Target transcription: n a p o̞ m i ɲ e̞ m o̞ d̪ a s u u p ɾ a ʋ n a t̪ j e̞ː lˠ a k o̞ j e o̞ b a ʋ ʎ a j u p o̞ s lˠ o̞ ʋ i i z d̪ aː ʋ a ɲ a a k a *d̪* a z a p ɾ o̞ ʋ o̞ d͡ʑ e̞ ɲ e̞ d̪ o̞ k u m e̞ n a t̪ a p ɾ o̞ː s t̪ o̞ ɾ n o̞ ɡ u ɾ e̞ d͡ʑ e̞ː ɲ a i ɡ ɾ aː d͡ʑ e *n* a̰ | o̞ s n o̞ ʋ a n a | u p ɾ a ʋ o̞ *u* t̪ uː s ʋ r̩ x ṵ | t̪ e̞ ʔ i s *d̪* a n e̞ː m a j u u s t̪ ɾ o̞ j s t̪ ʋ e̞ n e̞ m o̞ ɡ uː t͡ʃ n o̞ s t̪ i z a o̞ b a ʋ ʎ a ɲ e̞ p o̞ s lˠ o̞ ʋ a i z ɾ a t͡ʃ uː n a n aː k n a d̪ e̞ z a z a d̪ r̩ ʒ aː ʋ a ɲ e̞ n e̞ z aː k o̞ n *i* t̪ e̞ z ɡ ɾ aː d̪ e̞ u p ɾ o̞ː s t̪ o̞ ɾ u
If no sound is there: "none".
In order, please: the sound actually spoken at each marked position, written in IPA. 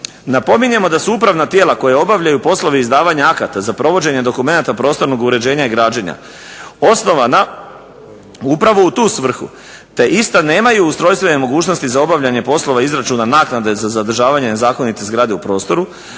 t̪, ɲ, u, t̪, i

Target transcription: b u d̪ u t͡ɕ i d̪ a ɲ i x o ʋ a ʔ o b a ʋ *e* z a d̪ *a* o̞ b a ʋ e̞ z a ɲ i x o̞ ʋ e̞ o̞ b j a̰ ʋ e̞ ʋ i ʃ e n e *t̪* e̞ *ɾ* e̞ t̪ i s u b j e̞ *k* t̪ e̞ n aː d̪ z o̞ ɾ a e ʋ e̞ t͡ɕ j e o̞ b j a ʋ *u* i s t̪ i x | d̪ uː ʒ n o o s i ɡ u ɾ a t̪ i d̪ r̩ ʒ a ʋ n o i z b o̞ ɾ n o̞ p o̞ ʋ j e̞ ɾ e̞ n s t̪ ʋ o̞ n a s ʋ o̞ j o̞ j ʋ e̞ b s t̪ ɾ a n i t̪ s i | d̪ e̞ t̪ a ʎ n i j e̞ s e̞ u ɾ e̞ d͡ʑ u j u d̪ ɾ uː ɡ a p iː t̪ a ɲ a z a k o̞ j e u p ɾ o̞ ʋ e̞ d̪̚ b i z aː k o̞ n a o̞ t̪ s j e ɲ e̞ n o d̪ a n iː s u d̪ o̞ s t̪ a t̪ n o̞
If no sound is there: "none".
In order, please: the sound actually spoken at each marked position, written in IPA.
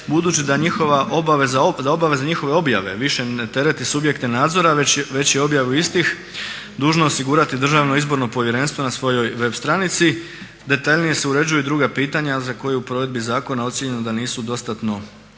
e, a, t̪, ɾ, k, u

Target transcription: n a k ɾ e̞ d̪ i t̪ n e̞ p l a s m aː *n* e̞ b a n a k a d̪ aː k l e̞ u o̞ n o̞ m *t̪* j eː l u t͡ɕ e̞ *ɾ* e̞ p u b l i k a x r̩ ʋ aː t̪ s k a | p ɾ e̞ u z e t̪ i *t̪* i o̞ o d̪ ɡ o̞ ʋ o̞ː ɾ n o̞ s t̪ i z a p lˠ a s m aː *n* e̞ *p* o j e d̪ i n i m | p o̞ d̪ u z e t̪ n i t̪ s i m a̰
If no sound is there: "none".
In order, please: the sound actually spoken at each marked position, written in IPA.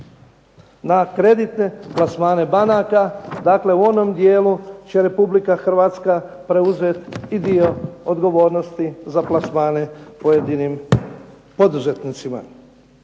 n, d̪, ɾ, d̪, n, p

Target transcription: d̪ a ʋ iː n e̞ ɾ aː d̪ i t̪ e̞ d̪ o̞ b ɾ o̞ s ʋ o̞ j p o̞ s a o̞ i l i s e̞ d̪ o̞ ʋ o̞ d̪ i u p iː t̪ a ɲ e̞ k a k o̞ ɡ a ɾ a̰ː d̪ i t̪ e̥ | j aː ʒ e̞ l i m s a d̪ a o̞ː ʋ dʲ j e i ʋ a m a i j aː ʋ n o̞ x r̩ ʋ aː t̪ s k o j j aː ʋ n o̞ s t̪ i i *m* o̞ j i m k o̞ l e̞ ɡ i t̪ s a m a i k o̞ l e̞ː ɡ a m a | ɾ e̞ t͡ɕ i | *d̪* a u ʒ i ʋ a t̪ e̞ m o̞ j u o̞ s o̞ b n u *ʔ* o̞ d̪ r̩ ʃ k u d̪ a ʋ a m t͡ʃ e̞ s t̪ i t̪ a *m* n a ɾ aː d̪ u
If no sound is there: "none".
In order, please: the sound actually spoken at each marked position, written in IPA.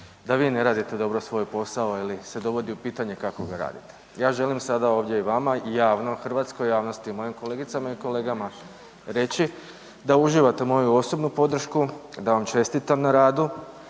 m, d̪, p, m

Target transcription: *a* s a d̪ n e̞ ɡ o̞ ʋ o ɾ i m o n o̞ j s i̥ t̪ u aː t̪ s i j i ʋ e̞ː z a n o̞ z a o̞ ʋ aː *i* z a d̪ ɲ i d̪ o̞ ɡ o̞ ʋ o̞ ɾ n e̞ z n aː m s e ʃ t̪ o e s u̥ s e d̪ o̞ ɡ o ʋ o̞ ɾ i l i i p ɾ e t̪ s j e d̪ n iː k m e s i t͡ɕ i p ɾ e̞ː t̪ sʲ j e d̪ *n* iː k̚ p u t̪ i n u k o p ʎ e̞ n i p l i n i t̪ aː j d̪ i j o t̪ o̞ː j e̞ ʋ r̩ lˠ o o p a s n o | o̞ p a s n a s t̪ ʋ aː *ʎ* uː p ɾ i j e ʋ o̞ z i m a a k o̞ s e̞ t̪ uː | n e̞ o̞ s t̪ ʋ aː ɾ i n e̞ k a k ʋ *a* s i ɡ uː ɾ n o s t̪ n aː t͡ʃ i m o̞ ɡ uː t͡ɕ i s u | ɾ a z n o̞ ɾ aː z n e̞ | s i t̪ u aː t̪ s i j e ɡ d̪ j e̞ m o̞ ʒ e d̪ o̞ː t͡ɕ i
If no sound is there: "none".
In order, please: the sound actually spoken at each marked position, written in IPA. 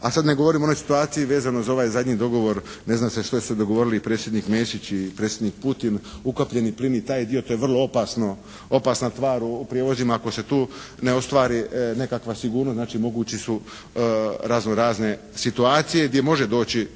a, j, n, ɾ, a

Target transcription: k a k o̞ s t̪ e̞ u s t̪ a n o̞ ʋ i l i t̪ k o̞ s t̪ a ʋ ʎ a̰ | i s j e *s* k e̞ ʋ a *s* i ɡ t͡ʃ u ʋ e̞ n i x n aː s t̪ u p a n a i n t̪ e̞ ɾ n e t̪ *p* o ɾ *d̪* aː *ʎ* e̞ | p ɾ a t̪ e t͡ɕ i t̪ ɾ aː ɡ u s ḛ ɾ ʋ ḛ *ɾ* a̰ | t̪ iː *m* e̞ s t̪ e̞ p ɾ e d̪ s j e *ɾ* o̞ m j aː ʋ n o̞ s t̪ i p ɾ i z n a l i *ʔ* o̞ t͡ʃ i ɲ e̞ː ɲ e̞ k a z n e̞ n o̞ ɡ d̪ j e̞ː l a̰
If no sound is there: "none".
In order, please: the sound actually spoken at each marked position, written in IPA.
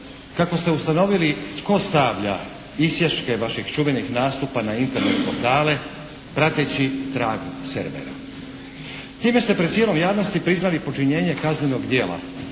ʃ, ʃ, p, t̪, l, ɾ, m, l, p

